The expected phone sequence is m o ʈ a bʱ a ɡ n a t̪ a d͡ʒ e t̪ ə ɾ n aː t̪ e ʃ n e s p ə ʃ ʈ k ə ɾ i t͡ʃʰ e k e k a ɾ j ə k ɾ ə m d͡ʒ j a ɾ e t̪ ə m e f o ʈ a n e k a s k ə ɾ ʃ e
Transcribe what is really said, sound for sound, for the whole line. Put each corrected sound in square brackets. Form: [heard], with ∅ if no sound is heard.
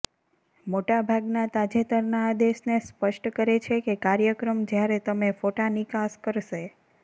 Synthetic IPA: m o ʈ a bʱ a ɡ n a t̪ a d͡ʒ e t̪ ə ɾ n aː [d̪] e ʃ n e s p ə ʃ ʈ k ə ɾ [e] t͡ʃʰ e k e k a ɾ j ə k ɾ ə m d͡ʒ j a ɾ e t̪ ə m e f o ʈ a n [i] k a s k ə ɾ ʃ e